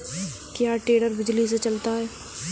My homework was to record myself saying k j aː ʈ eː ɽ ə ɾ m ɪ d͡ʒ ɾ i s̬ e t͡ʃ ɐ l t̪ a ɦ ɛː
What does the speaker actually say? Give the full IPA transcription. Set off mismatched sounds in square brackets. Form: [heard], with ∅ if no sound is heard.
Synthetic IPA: k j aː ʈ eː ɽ ə ɾ [b] ɪ d͡ʒ [l] i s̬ e t͡ʃ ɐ l t̪ a ɦ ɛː